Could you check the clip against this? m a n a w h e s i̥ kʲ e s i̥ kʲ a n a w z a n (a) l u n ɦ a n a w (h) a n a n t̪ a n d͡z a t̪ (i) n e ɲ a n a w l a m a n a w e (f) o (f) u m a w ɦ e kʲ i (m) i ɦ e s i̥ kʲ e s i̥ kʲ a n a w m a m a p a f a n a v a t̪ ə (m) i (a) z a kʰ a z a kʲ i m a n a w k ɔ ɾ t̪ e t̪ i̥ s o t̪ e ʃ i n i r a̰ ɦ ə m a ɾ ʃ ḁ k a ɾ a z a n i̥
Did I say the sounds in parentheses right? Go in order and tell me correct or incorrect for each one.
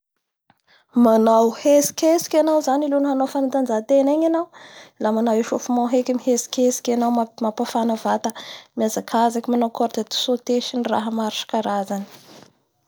incorrect: i, incorrect: f, incorrect: e, incorrect: ʃ, correct, correct, correct, correct

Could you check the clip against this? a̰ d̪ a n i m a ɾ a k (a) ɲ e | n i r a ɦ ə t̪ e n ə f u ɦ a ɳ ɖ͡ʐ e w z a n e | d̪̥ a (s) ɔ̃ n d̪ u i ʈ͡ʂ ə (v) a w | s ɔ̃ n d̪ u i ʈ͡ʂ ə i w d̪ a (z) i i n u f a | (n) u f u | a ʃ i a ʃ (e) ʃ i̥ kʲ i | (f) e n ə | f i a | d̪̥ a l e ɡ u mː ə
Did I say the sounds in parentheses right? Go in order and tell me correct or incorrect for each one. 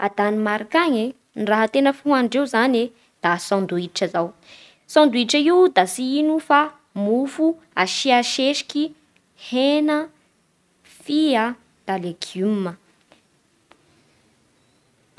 correct, correct, incorrect: z, incorrect: s, incorrect: m, correct, incorrect: h

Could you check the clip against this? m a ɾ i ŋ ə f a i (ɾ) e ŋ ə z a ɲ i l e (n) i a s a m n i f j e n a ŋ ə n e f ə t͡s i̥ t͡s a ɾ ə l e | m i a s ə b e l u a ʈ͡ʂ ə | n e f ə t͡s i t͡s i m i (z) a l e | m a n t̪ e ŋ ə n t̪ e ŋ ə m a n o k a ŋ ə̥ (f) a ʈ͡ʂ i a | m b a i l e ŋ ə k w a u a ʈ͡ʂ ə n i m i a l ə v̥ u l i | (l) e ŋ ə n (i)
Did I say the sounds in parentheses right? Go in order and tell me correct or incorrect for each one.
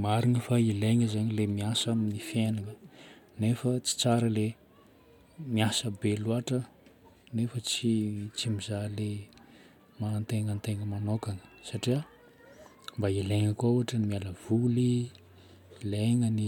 incorrect: l, incorrect: m, correct, incorrect: s, correct, correct

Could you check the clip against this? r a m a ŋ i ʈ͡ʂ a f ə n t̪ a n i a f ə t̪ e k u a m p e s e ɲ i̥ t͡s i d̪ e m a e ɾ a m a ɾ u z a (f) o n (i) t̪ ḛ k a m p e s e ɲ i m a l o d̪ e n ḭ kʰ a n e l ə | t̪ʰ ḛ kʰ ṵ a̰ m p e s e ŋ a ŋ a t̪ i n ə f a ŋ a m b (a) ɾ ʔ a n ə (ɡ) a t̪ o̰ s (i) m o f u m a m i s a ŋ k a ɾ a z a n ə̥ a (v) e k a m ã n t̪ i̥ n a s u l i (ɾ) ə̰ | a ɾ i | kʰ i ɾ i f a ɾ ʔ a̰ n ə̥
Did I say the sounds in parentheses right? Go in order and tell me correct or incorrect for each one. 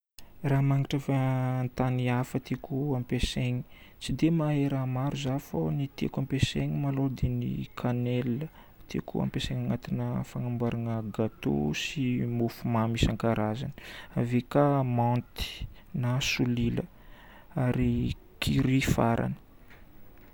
correct, correct, correct, correct, correct, correct, incorrect: l

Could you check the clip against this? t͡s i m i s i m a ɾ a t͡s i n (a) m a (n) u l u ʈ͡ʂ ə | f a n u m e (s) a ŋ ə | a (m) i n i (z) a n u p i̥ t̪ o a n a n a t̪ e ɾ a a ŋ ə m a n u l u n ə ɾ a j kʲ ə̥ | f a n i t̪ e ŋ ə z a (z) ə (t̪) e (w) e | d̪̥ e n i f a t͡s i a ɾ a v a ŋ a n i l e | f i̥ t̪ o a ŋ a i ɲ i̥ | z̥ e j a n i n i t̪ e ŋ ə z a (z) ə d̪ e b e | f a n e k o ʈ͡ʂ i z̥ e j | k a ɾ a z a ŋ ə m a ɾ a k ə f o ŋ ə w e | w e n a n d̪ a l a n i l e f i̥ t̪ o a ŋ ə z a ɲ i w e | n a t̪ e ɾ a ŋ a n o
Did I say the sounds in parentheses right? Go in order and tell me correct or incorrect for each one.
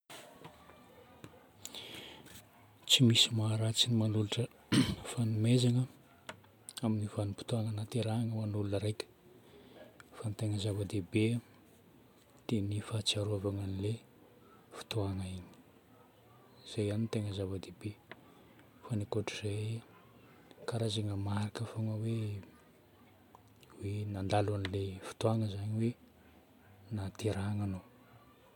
incorrect: i, correct, incorrect: z, correct, incorrect: v, incorrect: v, incorrect: d̪, incorrect: b, incorrect: v

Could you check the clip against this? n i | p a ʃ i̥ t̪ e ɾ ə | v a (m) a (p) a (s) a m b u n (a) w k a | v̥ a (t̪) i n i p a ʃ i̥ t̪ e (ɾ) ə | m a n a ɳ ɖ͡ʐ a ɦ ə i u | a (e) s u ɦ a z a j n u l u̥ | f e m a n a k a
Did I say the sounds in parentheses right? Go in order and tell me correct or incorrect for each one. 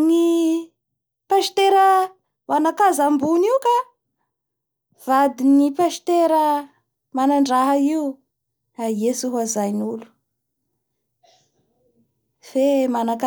incorrect: n, incorrect: k, incorrect: z, incorrect: i, incorrect: d̪, correct, correct

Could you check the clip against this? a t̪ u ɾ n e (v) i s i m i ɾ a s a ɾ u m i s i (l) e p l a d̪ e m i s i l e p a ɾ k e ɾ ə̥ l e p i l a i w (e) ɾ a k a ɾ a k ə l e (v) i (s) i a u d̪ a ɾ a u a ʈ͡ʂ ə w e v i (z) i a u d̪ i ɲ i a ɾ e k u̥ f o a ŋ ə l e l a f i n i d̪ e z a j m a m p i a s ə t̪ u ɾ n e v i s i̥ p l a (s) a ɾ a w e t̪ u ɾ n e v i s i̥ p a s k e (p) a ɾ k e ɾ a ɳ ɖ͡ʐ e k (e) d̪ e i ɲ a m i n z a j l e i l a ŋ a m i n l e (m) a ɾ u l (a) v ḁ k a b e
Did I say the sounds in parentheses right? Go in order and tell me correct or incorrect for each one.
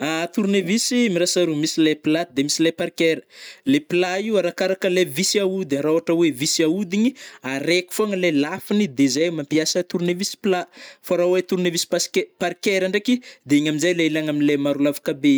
correct, correct, incorrect: a, correct, correct, incorrect: s, incorrect: f, correct, incorrect: i, correct, correct

